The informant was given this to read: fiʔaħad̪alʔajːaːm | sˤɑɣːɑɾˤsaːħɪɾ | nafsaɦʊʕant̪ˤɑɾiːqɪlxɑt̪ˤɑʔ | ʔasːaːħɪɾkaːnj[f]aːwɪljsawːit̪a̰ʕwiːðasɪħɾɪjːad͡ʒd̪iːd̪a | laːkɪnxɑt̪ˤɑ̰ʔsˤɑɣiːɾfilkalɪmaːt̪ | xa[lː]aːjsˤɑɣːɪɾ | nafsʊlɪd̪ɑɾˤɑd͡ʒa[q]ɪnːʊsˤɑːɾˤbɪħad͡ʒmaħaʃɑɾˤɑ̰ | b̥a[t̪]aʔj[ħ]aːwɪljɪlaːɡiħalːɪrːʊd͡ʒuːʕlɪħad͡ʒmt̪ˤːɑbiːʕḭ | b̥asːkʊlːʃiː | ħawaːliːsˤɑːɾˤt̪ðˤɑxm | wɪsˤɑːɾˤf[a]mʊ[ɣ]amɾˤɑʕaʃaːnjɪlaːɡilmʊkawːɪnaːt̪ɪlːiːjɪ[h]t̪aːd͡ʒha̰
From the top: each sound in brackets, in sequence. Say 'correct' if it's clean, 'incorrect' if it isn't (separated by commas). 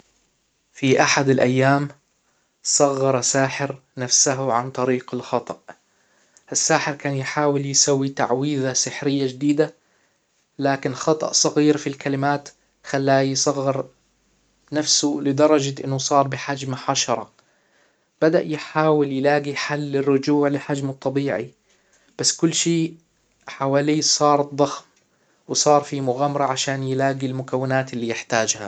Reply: incorrect, correct, incorrect, incorrect, correct, incorrect, correct, incorrect